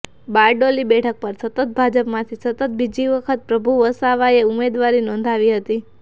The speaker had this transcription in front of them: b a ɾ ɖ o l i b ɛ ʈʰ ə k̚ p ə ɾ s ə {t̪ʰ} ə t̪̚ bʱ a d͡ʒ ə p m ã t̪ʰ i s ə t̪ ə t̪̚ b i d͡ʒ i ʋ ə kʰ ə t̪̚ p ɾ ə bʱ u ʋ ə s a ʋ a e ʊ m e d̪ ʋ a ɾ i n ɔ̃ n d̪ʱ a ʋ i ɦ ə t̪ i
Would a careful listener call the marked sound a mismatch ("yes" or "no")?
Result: yes